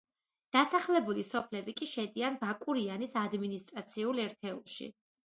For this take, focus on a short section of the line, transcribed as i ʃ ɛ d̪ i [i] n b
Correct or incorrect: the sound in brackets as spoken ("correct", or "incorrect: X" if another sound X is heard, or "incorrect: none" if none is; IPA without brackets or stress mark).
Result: incorrect: a